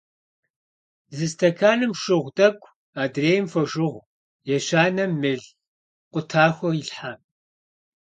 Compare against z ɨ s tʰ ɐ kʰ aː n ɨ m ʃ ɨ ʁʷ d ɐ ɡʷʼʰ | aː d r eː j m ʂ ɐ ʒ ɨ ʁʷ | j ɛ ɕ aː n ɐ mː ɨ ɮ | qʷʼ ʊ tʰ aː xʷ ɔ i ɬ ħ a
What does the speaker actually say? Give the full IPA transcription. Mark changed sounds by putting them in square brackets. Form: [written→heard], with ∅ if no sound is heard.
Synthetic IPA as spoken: z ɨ s tʰ ɐ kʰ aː n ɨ m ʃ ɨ ʁʷ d ɐ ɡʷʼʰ | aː d r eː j m [ʂ→f] ɐ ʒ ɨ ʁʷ | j ɛ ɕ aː n ɐ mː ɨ ɮ | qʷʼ ʊ tʰ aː xʷ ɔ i ɬ ħ a